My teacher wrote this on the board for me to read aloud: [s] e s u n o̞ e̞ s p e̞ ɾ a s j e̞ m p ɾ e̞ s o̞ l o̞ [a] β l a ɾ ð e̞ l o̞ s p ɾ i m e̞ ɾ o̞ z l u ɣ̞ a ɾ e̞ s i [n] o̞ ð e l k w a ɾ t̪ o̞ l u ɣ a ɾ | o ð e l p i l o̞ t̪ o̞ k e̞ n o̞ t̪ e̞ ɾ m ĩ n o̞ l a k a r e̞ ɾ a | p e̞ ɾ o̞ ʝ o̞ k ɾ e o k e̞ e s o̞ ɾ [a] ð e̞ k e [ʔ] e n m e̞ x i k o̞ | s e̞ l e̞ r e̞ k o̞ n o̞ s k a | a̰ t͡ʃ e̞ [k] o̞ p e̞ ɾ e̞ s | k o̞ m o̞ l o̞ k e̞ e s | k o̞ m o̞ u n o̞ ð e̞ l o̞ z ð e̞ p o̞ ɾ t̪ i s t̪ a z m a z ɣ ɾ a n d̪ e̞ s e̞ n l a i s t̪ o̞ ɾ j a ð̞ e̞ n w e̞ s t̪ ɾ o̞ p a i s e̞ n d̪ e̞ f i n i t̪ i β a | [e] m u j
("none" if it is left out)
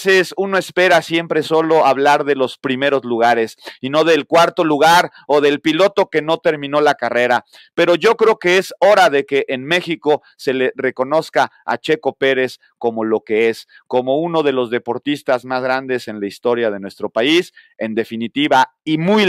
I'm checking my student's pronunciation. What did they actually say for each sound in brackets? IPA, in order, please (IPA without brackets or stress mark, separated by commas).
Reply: s, a, n, a, ʔ, k, i